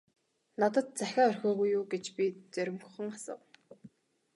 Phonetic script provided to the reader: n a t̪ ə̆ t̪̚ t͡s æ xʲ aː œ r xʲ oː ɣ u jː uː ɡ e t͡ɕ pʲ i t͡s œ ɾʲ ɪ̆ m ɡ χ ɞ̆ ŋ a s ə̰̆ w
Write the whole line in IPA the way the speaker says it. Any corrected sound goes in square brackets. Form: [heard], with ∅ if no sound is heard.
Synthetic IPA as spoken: n a t̪ ə̆ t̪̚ t͡s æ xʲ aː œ r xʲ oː ɣ u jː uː ɡ e t͡ɕ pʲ i t͡s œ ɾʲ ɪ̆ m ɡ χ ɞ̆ ŋ a s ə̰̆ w